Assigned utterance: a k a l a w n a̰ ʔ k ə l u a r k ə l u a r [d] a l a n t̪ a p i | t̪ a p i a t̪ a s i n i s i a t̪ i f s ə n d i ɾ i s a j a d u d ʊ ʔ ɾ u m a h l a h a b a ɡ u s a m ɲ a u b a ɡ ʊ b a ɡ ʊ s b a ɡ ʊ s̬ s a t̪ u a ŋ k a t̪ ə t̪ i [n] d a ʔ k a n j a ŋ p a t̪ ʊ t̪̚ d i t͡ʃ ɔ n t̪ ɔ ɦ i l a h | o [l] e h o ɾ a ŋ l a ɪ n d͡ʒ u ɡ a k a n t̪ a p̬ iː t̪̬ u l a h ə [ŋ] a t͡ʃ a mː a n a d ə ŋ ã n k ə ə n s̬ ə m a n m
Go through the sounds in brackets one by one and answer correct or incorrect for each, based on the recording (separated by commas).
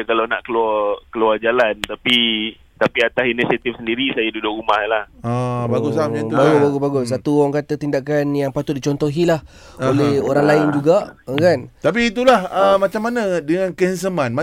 incorrect, correct, correct, incorrect